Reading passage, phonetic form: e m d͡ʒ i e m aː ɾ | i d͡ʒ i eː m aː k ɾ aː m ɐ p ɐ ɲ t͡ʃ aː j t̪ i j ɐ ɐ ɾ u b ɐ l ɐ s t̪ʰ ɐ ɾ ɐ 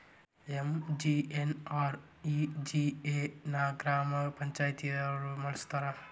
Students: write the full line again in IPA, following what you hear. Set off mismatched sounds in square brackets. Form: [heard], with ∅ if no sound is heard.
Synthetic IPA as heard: e m d͡ʒ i e [n] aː ɾ | i d͡ʒ i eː [n] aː [ɡ] ɾ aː m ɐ p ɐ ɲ t͡ʃ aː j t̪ i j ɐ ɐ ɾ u [m] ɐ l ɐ s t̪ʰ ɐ ɾ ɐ